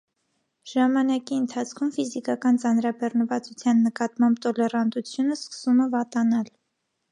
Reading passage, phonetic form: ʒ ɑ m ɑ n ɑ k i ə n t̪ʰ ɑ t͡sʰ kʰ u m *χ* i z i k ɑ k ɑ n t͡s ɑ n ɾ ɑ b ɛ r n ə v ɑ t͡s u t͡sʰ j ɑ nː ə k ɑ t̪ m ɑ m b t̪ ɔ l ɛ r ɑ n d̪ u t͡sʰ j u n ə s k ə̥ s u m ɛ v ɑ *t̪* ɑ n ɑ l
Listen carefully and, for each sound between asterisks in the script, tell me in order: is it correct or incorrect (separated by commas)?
incorrect, correct